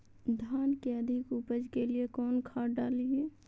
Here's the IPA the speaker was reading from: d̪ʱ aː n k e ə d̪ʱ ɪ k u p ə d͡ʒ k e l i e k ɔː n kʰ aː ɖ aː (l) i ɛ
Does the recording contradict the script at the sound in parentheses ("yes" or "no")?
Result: no